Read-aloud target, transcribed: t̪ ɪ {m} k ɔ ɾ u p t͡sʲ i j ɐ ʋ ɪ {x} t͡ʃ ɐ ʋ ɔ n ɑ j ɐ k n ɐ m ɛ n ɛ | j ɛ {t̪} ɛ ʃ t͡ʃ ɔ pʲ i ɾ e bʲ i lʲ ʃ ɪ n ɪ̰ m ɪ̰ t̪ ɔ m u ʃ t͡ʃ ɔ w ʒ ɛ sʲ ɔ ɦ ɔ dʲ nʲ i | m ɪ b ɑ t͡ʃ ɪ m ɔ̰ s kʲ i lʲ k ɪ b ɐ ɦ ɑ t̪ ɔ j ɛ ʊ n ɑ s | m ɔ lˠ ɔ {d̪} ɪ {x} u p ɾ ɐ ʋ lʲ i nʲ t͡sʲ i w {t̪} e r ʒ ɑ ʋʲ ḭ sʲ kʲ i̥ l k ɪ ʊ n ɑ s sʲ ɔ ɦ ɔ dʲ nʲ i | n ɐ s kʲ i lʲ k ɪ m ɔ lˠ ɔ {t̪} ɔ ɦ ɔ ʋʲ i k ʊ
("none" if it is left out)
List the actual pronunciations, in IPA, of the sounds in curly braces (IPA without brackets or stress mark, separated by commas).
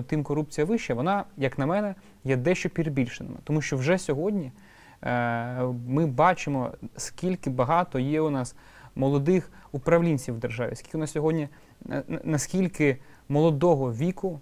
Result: m, ʃ, d̪, d̪, x, d̪, d̪